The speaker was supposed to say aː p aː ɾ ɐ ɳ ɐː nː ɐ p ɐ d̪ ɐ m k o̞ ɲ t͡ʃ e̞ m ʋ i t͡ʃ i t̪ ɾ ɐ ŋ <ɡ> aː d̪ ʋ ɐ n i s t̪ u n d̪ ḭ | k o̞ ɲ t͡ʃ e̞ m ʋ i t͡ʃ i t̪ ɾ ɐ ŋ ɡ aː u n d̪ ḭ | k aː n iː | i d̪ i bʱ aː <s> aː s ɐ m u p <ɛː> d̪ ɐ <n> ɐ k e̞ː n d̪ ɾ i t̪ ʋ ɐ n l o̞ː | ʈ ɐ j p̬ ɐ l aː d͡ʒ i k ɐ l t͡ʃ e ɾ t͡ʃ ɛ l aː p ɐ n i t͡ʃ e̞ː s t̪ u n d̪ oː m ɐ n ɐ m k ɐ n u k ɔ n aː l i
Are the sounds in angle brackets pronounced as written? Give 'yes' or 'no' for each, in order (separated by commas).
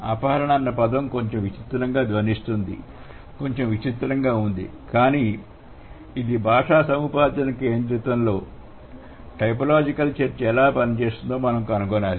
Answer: yes, no, no, yes